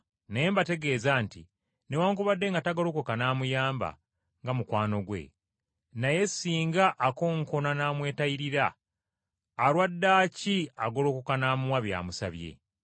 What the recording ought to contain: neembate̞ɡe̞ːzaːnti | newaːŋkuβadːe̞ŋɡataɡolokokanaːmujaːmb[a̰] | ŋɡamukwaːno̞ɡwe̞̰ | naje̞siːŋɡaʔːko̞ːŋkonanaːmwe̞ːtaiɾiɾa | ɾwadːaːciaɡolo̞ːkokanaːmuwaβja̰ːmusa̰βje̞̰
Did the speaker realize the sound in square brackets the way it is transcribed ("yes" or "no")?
yes